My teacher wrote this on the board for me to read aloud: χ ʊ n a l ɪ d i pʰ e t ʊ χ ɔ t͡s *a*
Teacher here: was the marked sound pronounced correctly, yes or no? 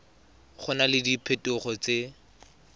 no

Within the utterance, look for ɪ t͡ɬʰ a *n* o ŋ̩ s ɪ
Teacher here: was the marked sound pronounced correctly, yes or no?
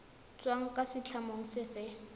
no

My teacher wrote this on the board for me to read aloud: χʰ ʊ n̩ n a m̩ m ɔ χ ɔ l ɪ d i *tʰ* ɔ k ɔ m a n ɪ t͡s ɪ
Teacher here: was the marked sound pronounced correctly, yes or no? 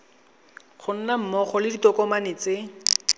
no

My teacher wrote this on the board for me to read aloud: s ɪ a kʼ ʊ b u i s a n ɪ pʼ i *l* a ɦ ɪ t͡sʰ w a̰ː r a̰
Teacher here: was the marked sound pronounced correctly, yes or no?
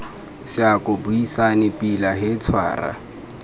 yes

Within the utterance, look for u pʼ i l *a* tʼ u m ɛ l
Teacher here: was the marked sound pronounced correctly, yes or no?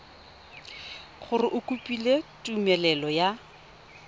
no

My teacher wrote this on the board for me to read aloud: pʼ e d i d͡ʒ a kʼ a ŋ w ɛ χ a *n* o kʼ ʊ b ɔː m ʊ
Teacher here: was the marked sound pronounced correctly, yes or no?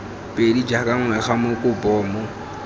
no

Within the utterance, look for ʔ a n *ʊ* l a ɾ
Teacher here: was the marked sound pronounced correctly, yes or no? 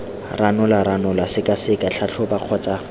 yes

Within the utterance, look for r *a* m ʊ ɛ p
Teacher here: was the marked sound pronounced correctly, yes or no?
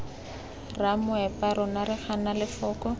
yes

